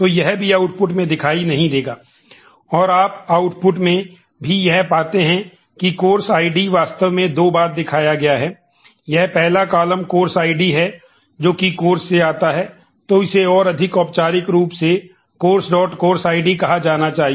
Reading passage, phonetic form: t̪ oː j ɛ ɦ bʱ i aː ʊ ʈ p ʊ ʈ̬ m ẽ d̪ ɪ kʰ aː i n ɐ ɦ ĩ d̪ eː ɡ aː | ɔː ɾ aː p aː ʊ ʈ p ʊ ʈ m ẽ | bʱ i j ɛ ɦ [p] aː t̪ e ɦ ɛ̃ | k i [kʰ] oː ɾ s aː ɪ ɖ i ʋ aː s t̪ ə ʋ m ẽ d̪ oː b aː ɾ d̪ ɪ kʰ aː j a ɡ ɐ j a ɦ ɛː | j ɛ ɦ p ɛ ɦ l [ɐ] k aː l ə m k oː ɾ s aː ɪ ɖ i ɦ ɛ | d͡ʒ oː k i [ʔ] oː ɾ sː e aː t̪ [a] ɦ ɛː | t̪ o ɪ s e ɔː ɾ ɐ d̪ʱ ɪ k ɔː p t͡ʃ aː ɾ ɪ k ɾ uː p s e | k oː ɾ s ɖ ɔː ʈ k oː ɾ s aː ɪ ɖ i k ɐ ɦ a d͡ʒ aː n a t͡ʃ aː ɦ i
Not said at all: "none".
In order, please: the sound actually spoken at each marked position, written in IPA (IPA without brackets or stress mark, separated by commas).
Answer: p, k, a, k, a